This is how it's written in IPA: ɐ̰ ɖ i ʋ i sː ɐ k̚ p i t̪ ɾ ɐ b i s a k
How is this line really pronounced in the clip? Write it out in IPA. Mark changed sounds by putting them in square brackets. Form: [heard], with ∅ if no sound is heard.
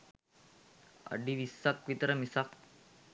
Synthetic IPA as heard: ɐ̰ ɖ i ʋ i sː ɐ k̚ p i t̪ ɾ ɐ [m] i s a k